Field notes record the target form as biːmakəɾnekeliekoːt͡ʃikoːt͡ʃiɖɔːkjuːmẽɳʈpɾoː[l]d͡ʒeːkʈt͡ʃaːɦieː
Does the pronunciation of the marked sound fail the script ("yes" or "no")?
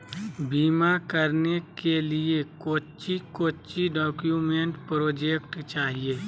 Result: yes